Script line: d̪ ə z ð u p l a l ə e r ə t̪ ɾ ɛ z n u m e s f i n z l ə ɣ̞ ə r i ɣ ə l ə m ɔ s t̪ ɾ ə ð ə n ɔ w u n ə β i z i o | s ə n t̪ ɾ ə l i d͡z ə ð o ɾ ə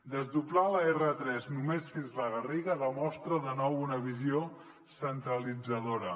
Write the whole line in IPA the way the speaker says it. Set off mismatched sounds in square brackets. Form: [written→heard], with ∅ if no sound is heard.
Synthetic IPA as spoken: d̪ ə z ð u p l a l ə e r ə t̪ ɾ ɛ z n u m e s f i n z l ə ɣ̞ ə r i ɣ ə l ə m ɔ s t̪ ɾ ə ð ə n ɔ w u n ə β i z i o | s ə n t̪ ɾ ə l i d͡z ə ð o ɾ ə